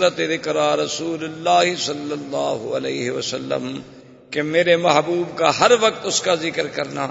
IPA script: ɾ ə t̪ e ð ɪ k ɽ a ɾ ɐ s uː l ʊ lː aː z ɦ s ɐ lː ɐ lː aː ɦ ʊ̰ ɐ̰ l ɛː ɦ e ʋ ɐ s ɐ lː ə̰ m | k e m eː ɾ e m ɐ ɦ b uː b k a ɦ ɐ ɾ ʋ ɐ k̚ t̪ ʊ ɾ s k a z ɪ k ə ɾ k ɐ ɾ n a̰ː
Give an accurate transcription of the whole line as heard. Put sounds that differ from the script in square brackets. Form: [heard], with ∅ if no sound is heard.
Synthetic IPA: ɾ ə t̪ e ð ɪ k [ɾ] a ɾ ɐ s uː l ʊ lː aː [∅] ɦ s ɐ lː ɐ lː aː ɦ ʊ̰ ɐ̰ l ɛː ɦ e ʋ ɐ s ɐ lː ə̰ m | k e m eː ɾ e m ɐ ɦ b uː b k a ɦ ɐ ɾ ʋ ɐ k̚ t̪ ʊ [∅] s k a z ɪ k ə ɾ k ɐ ɾ n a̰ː